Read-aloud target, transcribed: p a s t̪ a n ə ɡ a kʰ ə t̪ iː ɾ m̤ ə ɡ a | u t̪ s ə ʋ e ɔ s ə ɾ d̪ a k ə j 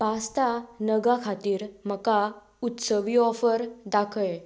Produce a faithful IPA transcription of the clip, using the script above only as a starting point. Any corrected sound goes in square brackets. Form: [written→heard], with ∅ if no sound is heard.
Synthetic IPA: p a s t̪ a n ə ɡ a kʰ [ə→a] t̪ iː ɾ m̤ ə [ɡ→k] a | u t̪ s ə ʋ [e→i] ɔ [s→f] ə ɾ d̪ a [k→kʰ] ə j

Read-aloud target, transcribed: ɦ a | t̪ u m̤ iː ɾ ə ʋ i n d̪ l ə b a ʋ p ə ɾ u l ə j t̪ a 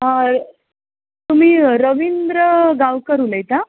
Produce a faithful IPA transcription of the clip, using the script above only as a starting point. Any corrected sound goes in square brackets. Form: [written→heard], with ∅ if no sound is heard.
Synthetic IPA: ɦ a | t̪ u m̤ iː ɾ ə ʋ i n d̪ [l→ɾ] ə [b→ɡ] a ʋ [p→k] ə ɾ u l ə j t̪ a

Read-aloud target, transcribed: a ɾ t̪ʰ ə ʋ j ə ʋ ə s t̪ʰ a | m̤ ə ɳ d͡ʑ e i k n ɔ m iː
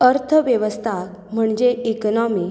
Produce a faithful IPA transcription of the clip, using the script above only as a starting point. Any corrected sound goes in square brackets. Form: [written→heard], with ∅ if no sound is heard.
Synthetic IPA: [a→ə] ɾ t̪ʰ ə ʋ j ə ʋ ə s t̪ʰ a | m̤ ə ɳ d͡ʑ e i k n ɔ m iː

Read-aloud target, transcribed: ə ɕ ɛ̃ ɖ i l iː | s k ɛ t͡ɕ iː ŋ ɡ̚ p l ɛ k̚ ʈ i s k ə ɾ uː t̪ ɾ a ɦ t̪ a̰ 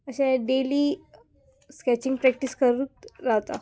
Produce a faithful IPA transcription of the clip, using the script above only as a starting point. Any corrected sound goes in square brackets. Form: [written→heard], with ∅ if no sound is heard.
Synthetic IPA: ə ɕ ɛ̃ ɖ [i→e] l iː | s k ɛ t͡ɕ [iː→i] ŋ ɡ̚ p [l→ɾ] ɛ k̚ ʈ i s k ə ɾ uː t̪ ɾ a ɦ t̪ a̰

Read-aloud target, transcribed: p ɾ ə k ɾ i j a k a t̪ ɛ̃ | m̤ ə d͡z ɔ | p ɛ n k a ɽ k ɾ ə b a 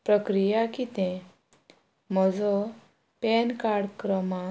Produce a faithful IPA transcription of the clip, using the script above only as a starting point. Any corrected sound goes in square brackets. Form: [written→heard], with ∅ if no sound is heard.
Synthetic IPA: p ɾ ə k ɾ i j a k [a→i] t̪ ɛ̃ | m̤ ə d͡z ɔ | p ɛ n k a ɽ k ɾ ə [b→m] a

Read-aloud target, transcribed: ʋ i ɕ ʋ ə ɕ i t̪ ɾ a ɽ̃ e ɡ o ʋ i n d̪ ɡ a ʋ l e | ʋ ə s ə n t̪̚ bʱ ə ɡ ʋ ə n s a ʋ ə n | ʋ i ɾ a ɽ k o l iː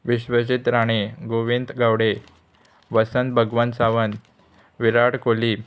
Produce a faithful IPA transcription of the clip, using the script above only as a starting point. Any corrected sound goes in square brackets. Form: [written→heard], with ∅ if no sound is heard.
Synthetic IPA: ʋ i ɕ ʋ ə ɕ i t̪ ɾ a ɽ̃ e ɡ o ʋ i n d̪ ɡ a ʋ [l→ɽ] e | ʋ ə s ə n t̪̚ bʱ ə ɡ ʋ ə n s a ʋ ə n | ʋ i ɾ a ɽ k o l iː

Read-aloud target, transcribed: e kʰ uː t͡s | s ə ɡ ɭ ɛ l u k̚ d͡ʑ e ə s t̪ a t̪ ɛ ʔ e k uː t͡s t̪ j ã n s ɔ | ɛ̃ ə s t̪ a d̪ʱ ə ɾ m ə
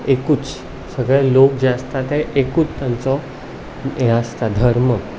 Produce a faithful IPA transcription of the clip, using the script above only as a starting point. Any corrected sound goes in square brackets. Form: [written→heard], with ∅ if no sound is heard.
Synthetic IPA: e [kʰ→k] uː t͡s | s ə ɡ ɭ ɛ l [u→o] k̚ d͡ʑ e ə s t̪ a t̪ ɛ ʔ e k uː t͡s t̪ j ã n [s→t͡s] ɔ | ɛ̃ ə s t̪ a d̪ʱ ə ɾ m ə

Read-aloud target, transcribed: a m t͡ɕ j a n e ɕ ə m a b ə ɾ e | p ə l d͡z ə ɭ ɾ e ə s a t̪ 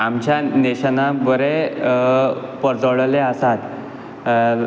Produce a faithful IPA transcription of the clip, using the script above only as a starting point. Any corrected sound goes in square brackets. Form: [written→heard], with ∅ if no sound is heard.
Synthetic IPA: a m t͡ɕ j a n e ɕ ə [m→n] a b ə ɾ e | p ə [l→ɾ] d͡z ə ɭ [ɾ→l] e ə s a t̪

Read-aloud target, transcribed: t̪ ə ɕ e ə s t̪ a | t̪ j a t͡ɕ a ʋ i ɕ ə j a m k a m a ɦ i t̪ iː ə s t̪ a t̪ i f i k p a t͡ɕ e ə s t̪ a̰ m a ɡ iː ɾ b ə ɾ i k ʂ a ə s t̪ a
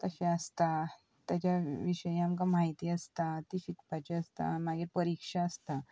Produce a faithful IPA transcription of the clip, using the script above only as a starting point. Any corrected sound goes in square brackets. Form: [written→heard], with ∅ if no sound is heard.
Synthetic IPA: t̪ ə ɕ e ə s t̪ a | t̪ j a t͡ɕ a ʋ i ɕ ə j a m k a m a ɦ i t̪ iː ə s t̪ a t̪ i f i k p a t͡ɕ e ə s t̪ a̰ m a ɡ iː ɾ [b→p] ə ɾ i k ʂ a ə s t̪ a

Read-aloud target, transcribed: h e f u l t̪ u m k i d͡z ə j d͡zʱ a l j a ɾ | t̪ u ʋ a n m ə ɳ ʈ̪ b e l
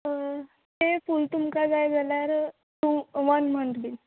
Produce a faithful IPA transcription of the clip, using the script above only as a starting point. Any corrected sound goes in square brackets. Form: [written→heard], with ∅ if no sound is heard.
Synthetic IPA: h e f u l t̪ u m k [i→a] d͡z [ə→a] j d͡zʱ a l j a ɾ | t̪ u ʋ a n m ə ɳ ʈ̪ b [e→i] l

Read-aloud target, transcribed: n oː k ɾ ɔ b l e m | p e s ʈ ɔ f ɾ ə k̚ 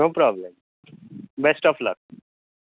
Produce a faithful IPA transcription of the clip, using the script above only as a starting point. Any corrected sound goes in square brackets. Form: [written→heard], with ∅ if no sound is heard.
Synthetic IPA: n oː [k→p] ɾ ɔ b l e m | [p→b] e s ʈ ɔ f [ɾ→l] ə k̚

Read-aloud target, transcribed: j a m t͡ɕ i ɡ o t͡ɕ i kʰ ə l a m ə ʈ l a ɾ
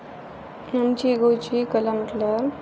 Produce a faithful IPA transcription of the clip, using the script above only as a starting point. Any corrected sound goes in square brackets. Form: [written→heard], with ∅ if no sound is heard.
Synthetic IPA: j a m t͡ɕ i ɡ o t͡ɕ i [kʰ→k] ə l a m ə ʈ l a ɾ

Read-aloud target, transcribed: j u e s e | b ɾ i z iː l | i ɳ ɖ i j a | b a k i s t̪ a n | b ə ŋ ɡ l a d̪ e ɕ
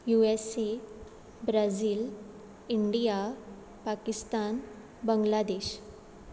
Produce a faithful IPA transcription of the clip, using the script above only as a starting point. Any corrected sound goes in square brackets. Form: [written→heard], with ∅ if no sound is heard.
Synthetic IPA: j u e s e | b ɾ [i→a] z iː l | i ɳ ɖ i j a | [b→p] a k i s t̪ a n | b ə ŋ ɡ l a d̪ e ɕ

